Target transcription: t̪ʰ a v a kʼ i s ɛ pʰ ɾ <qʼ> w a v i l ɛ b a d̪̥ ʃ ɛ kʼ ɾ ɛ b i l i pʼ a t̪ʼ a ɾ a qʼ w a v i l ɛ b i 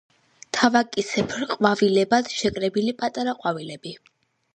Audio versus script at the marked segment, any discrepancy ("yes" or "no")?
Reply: no